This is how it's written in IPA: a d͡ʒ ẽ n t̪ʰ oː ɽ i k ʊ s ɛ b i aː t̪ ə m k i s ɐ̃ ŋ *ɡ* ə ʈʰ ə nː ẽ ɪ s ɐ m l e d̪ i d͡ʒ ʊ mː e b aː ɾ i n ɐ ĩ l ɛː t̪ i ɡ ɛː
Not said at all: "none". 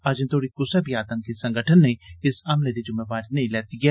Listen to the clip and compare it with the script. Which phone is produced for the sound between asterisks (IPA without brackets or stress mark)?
ɡ